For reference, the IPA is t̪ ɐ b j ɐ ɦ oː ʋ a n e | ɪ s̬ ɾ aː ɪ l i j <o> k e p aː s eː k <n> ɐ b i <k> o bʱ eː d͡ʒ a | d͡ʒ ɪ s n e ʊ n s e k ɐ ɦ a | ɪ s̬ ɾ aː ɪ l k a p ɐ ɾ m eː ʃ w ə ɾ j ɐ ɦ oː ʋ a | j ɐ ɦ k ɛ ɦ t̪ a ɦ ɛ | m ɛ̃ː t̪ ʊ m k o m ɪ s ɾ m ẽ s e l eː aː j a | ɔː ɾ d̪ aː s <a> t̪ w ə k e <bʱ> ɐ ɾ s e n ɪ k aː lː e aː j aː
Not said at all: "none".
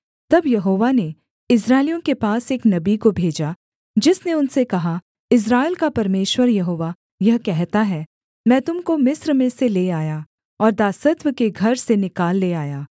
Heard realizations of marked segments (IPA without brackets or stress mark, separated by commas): õ, n, k, ə, ɡʱ